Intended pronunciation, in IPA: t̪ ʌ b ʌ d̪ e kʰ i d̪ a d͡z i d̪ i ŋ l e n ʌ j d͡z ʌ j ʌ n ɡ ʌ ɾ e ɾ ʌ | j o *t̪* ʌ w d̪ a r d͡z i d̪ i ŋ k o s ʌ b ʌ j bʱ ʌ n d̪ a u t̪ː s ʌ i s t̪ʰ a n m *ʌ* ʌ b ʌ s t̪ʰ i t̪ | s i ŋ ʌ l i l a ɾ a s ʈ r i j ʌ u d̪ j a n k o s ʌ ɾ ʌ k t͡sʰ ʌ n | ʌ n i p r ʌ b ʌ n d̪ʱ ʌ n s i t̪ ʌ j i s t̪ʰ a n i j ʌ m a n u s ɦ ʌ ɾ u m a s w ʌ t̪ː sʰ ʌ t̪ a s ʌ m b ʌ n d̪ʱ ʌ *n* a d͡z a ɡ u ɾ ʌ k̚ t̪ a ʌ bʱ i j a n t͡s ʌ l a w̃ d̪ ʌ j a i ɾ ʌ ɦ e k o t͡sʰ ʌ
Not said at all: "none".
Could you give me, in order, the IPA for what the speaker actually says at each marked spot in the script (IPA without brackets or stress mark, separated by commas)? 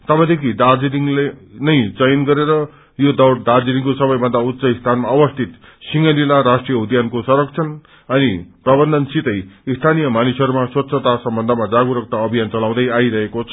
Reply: d̪, a, m